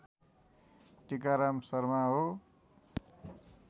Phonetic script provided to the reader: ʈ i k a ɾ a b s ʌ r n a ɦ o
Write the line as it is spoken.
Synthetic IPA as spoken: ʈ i k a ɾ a m s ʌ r m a ɦ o